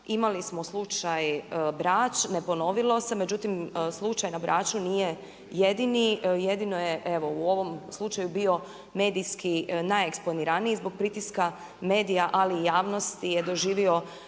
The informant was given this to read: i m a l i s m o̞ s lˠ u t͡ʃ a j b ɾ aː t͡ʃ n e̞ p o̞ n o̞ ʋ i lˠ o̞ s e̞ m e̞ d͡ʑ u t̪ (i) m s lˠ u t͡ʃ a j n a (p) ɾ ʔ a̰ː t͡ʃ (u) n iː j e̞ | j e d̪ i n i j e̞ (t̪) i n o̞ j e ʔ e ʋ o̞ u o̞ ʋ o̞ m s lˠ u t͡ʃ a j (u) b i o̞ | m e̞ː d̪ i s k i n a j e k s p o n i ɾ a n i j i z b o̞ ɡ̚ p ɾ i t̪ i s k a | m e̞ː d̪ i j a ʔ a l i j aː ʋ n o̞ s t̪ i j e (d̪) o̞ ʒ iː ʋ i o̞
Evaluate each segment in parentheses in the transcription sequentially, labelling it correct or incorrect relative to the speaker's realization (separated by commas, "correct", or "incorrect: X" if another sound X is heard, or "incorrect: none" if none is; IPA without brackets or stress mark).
correct, incorrect: b, correct, incorrect: d̪, correct, correct